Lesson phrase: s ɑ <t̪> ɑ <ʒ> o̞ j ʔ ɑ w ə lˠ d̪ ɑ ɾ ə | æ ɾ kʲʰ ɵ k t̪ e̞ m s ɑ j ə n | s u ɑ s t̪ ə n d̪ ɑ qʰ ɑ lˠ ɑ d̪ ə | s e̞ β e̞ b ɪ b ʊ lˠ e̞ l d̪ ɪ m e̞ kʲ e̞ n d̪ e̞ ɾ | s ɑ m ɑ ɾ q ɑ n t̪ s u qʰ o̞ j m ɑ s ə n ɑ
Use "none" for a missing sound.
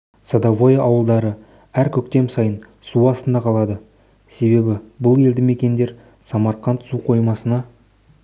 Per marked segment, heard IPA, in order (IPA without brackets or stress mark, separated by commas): d̪, v